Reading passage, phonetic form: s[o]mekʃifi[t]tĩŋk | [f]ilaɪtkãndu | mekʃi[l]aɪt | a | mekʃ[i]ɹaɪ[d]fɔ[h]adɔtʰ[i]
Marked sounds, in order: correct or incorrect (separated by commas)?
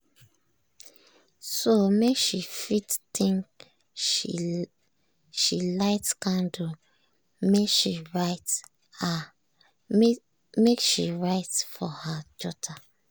correct, correct, incorrect, incorrect, correct, incorrect, correct, incorrect